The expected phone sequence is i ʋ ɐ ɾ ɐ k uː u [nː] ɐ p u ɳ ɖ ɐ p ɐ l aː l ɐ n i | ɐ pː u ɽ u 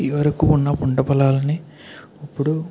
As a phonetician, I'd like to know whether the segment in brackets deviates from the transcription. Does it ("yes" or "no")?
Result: no